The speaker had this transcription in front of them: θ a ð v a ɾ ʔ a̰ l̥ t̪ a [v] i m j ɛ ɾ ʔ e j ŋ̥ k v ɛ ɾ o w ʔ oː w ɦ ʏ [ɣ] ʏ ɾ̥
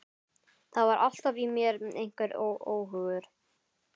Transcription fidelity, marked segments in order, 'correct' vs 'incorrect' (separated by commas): correct, correct